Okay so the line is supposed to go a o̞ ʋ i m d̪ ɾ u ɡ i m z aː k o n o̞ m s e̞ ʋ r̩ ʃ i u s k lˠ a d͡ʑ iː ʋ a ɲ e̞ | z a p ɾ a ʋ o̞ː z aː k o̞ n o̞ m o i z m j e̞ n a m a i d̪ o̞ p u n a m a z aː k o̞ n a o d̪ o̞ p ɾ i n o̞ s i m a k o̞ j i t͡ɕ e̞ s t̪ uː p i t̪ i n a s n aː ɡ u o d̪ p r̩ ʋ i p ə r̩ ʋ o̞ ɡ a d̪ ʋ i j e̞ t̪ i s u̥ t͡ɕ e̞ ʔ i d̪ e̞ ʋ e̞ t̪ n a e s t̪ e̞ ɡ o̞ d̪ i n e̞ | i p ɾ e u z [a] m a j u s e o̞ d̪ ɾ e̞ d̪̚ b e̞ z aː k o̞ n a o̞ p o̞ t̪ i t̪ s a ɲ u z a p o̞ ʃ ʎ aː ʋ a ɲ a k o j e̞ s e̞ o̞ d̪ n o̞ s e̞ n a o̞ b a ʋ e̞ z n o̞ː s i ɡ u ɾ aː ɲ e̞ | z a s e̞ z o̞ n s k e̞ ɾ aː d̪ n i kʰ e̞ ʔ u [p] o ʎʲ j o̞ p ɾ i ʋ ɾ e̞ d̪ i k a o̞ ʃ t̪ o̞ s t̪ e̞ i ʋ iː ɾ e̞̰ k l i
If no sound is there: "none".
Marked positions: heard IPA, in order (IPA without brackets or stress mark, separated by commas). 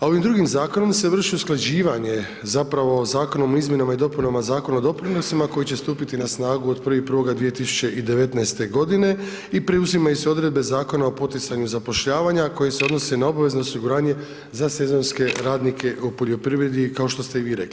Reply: i, p